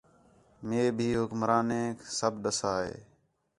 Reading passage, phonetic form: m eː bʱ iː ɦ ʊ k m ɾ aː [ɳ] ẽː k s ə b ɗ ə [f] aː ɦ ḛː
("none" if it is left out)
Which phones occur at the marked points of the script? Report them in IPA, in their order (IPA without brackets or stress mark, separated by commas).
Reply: n, s